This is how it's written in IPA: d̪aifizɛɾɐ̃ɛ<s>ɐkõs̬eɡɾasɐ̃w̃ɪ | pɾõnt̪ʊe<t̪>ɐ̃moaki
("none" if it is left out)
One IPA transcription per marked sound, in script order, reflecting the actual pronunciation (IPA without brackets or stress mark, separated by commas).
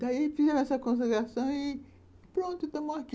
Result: s, t̪